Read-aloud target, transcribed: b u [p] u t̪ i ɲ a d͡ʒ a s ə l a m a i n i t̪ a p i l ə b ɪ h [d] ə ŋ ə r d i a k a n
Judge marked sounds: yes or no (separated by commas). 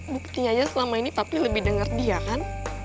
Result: no, yes